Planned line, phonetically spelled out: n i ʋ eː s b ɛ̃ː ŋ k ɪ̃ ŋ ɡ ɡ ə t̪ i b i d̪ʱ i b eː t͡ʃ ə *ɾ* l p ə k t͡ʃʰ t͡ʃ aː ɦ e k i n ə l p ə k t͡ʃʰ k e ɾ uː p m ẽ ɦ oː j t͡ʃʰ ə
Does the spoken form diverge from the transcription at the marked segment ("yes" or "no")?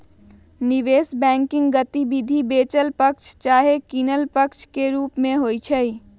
yes